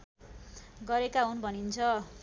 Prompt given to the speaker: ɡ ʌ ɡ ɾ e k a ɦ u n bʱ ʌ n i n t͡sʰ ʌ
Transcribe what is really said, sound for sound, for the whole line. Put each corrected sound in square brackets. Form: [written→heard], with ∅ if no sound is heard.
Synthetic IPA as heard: ɡ ʌ [ɡ→∅] ɾ e k a ɦ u n bʱ ʌ n i n t͡sʰ ʌ